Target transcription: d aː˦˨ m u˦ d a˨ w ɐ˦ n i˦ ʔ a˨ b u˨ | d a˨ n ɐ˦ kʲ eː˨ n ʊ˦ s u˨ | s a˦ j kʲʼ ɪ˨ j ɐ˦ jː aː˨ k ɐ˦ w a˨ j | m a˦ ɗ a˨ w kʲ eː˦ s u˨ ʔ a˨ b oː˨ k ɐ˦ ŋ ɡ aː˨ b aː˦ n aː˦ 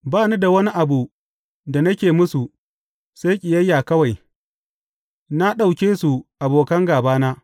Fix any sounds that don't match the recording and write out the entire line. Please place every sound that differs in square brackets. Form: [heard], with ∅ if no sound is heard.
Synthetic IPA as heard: [b] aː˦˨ [n] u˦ d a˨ w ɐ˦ n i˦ ʔ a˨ b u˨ | d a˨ n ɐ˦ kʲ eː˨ [m] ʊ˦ s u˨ | s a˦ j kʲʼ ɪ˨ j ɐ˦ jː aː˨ k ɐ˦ w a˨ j | [n] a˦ ɗ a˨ w kʲ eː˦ s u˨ ʔ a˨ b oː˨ k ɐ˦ ŋ ɡ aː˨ b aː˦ n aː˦